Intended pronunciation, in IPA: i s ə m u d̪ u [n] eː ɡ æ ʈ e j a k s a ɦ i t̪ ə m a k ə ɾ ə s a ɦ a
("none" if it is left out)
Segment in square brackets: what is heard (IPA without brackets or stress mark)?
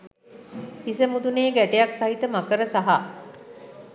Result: n